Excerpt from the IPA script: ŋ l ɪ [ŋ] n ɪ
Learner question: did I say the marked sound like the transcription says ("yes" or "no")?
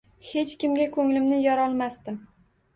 no